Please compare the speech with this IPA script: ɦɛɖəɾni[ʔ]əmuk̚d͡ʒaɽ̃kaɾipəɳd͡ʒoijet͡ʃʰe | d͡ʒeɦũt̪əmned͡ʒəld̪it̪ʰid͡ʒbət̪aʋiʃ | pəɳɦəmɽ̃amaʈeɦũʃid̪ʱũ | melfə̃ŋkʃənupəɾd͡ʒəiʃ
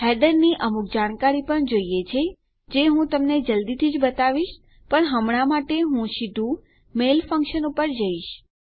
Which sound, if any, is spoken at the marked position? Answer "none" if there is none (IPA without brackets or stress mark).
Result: ʔ